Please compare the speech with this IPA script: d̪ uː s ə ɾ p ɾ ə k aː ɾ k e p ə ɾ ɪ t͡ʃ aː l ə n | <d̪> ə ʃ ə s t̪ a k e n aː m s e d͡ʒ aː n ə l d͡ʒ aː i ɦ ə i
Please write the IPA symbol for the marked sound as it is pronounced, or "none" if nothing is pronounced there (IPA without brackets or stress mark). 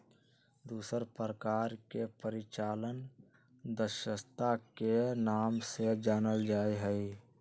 d̪